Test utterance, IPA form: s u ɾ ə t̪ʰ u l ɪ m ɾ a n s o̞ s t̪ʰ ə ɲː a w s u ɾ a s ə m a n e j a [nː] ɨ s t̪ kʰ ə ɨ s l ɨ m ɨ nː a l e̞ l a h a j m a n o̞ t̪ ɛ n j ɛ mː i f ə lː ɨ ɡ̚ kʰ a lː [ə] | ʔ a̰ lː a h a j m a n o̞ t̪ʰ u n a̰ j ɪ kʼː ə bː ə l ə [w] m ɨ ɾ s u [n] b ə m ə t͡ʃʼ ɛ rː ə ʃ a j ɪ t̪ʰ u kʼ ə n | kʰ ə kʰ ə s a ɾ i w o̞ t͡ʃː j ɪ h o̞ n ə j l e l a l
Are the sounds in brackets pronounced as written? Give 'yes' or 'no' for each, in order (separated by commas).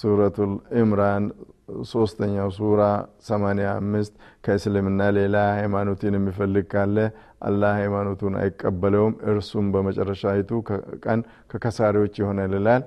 no, yes, yes, no